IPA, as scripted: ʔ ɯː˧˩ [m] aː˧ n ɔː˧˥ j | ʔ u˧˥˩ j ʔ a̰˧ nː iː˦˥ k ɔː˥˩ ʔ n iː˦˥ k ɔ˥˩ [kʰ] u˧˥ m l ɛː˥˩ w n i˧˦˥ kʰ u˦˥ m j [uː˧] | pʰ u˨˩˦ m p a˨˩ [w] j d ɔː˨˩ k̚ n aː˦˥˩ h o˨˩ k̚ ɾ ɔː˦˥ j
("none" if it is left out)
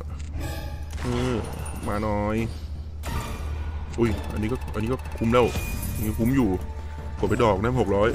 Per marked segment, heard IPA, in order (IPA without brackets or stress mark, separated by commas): m, kʰ, uː˨˩, none